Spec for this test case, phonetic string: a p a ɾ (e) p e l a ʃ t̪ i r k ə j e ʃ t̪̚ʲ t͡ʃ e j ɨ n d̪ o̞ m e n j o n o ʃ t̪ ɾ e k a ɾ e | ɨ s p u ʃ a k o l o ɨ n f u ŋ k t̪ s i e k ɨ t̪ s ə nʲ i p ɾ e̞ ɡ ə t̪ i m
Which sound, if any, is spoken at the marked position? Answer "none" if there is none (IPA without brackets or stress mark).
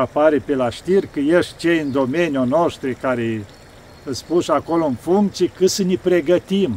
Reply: e